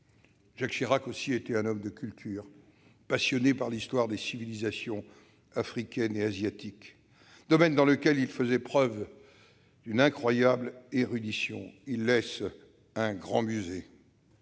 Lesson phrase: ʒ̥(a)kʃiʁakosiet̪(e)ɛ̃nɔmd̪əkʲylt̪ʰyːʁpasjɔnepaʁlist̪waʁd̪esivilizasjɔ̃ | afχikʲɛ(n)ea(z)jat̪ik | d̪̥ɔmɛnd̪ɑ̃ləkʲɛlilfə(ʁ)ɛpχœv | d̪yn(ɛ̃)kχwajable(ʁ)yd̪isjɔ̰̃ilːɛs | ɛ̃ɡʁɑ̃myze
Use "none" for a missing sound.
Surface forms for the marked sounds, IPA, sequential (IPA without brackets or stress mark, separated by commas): a, ɛ, n, z, z, ɛ̃, ʁ